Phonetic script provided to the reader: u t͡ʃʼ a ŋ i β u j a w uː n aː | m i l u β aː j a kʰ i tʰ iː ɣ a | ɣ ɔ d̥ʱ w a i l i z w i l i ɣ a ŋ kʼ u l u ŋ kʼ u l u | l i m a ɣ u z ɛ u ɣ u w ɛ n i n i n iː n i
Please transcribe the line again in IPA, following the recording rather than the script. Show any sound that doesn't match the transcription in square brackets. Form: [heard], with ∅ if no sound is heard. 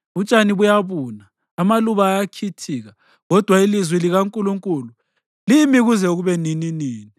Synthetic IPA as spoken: u t͡ʃʼ a [n] i β u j a [β] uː n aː | m [a] l u β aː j a kʰ i tʰ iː ɣ a | ɣ ɔ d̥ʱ w a i l i z w i l i ɣ a ŋ kʼ u l u ŋ kʼ u l u | l i m [i] ɣ u z ɛ u ɣ u [β] ɛ n i n i n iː n i